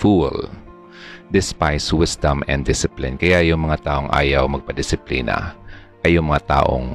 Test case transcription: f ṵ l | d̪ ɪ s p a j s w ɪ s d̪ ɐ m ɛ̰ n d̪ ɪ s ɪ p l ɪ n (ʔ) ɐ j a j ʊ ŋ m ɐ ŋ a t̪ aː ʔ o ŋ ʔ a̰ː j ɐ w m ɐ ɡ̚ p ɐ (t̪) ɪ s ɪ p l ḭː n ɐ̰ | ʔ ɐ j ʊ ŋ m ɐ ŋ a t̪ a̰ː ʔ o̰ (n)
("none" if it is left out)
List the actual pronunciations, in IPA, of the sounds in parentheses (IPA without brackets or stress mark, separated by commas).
k, d̪, ŋ